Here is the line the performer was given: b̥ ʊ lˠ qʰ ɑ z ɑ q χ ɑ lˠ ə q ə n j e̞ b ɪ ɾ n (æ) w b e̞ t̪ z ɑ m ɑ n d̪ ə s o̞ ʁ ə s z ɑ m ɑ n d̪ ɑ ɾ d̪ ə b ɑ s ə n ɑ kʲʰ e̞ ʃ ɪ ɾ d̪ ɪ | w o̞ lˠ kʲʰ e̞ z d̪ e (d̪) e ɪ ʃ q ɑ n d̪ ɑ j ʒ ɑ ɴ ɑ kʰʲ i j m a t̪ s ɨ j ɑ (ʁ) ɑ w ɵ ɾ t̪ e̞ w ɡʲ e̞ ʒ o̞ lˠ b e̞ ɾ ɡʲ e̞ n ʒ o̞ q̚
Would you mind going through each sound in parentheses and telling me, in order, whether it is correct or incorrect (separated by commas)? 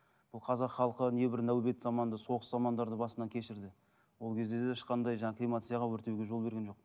correct, correct, correct